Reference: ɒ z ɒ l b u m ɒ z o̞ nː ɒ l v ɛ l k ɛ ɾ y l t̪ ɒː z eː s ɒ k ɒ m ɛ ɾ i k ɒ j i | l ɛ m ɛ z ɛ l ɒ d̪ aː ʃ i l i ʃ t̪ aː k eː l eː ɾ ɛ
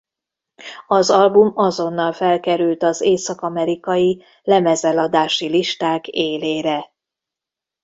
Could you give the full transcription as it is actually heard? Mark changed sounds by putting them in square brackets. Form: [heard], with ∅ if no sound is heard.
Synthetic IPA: ɒ z ɒ l b u m ɒ z o̞ nː ɒ l [f] ɛ l k ɛ ɾ y l t̪ [ɒ] z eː s ɒ k ɒ m ɛ ɾ i k ɒ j i | l ɛ m ɛ z ɛ l ɒ d̪ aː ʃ i l i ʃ t̪ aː k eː l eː ɾ ɛ